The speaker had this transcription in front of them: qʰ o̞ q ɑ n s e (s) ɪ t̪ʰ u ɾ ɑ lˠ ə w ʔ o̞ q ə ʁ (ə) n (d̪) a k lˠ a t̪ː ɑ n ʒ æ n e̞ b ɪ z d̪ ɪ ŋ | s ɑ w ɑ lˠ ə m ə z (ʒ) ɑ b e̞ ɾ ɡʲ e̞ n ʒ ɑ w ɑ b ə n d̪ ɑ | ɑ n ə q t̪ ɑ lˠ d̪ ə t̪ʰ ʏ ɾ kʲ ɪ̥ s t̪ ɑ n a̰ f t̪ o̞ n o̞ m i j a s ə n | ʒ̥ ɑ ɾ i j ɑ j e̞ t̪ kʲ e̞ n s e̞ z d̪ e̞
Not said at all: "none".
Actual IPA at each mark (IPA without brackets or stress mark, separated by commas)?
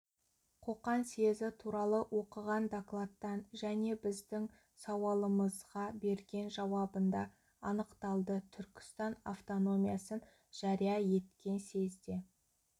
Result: z, ɑ, d̪, ʁ